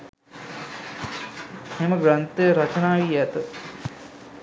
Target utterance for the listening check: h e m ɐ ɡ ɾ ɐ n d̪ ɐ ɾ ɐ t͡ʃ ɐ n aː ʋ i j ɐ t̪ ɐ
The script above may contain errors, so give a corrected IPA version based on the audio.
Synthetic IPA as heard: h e m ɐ ɡ ɾ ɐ n t̪ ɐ ɾ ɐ t͡ʃ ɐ n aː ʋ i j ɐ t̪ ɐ